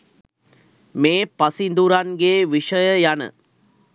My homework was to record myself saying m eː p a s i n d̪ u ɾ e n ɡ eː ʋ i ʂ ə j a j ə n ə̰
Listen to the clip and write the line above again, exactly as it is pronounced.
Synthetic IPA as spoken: m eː p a s i n d̪ u ɾ a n ɡ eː ʋ i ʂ ə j ə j a n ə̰

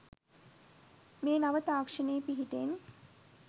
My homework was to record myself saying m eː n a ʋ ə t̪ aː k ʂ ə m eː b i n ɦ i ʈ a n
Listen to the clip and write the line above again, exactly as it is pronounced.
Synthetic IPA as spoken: m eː n a ʋ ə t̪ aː k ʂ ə n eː p i ɦ i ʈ e n

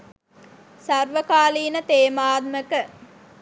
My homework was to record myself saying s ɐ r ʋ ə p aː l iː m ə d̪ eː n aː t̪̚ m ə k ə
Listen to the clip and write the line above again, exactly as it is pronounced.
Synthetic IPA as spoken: s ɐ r ʋ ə k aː l iː n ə t̪ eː m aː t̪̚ m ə k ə

